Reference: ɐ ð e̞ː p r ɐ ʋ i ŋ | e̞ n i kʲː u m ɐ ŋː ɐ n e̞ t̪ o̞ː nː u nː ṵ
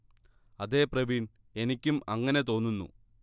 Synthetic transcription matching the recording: ɐ ð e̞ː p r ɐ ʋ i n | e̞ n i kʲː u m ɐ ŋː ɐ n e̞ t̪ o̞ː nː u nː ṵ